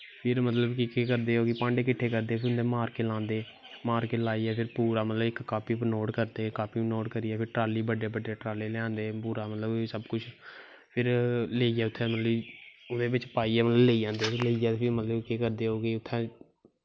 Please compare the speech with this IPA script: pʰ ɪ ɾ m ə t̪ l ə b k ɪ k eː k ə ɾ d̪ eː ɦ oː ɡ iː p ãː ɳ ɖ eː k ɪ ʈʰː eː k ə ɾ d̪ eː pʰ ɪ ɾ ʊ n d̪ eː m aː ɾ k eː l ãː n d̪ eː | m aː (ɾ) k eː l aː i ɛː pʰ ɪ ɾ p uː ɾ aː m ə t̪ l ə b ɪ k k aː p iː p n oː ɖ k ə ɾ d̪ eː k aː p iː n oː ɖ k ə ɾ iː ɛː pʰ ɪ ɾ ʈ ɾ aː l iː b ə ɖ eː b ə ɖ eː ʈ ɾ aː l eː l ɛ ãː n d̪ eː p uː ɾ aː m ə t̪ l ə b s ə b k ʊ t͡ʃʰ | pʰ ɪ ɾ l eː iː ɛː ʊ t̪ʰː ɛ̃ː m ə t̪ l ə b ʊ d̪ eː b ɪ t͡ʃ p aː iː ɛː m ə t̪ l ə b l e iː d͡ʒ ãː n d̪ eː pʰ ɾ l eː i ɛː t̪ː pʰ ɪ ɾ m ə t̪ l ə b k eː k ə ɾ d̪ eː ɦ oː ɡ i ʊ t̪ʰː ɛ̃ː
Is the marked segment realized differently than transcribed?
no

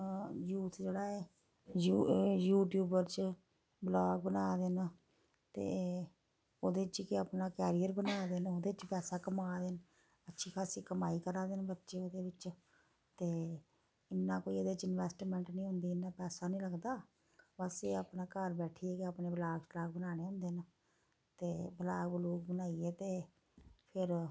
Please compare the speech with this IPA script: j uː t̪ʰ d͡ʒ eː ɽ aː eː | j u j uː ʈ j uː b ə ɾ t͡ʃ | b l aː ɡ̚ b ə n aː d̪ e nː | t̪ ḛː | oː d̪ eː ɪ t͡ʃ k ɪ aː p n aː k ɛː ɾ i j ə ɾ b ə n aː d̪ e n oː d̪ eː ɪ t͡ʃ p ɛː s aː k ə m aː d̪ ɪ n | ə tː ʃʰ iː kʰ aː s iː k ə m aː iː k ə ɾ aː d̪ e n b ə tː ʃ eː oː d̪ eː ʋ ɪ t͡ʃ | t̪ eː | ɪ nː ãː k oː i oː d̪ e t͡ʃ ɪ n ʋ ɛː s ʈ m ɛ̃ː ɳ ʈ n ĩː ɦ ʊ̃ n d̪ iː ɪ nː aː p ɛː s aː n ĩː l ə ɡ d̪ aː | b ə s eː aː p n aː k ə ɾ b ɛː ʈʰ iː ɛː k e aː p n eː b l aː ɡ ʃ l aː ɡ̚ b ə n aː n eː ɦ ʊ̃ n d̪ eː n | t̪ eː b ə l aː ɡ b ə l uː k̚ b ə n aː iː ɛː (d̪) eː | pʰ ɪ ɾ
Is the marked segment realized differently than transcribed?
yes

